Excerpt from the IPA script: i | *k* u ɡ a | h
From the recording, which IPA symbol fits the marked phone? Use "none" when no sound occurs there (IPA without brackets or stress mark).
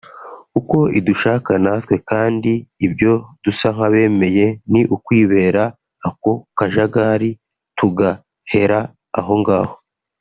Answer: t